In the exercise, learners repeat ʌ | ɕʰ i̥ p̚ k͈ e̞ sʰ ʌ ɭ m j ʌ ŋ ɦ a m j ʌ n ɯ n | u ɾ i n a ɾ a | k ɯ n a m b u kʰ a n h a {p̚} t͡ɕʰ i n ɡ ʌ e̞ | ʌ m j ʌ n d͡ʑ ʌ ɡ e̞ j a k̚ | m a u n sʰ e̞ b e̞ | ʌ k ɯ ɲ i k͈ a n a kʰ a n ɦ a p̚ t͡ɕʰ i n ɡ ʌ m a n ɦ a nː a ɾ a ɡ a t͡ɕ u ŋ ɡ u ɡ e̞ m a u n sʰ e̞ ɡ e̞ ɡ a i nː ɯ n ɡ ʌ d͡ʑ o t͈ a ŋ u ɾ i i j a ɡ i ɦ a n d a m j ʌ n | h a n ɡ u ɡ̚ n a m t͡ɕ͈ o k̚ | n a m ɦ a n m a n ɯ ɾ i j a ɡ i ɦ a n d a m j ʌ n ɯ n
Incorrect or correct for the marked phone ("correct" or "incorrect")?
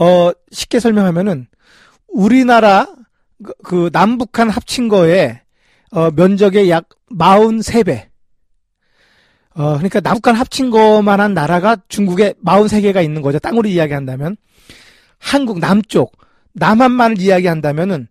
correct